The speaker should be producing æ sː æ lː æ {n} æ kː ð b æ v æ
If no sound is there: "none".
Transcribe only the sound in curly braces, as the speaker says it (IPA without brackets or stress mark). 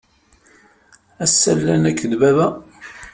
n